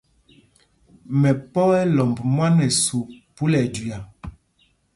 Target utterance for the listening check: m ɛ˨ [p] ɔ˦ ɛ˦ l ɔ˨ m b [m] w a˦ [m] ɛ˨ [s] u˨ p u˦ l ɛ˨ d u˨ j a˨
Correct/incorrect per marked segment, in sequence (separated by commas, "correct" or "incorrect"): correct, correct, incorrect, correct